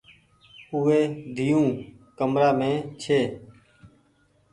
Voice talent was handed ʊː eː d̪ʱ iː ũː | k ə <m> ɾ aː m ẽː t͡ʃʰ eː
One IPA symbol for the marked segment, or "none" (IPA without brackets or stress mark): m